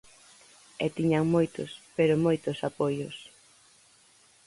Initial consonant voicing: voiceless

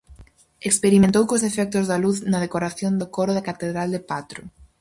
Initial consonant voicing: voiceless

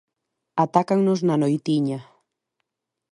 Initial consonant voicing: voiceless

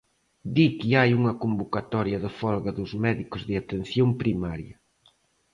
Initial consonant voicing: voiced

